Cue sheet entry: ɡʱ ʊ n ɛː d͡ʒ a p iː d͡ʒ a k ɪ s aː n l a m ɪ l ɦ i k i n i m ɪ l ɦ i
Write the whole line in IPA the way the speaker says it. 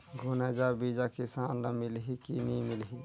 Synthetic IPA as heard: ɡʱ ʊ n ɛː d͡ʒ a b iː d͡ʒ a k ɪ s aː n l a m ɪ l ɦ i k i n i m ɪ l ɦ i

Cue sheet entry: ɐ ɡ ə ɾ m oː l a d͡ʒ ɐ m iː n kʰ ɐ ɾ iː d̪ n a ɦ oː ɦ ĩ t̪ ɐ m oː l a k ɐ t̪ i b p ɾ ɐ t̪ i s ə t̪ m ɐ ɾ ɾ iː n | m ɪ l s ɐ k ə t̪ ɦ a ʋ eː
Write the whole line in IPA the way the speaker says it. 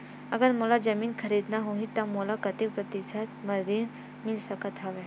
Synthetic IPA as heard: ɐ ɡ ə ɾ m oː l a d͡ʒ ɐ m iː n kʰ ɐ ɾ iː d̪ n a ɦ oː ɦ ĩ t̪ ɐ m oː l a k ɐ t̪ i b p ɾ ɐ t̪ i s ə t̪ m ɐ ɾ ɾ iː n | m ɪ l s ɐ k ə t̪ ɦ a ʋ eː

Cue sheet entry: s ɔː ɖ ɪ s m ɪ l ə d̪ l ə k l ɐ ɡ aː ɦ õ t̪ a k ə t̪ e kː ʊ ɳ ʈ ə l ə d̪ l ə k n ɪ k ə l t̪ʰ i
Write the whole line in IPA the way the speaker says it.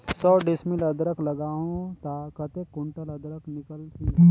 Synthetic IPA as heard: s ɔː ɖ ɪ s m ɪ l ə d̪ ɾ ə k l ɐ ɡ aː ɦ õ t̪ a k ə t̪ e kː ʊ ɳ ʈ ə l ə d̪ ɾ ə k n ɪ k ə l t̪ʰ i

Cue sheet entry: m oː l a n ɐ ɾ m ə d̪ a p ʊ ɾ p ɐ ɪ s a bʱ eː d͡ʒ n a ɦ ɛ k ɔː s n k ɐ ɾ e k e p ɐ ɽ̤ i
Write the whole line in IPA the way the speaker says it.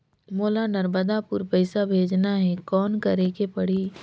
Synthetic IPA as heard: m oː l a n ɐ ɾ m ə d̪ a p ʊ ɾ p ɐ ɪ s a bʱ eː d͡ʒ n a ɦ ɛ k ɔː n k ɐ ɾ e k e p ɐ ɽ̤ i

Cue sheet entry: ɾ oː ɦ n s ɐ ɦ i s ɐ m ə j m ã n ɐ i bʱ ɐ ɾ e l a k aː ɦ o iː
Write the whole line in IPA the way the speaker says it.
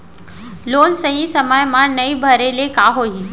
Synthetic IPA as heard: l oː n s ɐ ɦ i s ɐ m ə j m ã n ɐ i bʱ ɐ ɾ e l e k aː ɦ o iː

